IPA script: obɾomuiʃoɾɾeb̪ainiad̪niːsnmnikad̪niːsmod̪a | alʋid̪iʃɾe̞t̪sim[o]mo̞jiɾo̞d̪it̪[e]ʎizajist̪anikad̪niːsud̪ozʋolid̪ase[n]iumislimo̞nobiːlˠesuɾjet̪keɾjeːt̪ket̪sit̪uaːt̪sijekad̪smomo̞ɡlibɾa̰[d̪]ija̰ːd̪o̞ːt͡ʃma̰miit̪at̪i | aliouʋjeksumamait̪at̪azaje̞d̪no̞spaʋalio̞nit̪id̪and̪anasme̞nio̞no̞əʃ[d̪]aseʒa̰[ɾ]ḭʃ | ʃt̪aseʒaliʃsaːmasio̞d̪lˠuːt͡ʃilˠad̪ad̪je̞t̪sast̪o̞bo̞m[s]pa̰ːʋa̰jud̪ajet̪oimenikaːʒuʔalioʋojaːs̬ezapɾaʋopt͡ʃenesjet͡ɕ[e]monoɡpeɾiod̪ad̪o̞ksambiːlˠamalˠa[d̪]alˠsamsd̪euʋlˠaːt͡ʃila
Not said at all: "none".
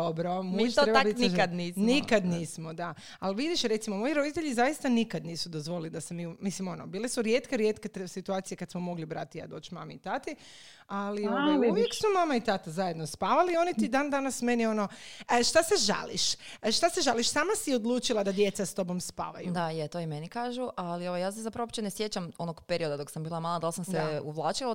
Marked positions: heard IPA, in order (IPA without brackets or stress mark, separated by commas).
o, e, m, t̪, t̪, l, s, a, d̪